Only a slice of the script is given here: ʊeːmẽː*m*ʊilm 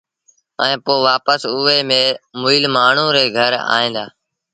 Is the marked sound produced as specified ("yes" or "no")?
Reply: yes